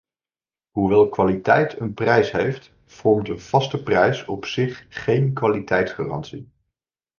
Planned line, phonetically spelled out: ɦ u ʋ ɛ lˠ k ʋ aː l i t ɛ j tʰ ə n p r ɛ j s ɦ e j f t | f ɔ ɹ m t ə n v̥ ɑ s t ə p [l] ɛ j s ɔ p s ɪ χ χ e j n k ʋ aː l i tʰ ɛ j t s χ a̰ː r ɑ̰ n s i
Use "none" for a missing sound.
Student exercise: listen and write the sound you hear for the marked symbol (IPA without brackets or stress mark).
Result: r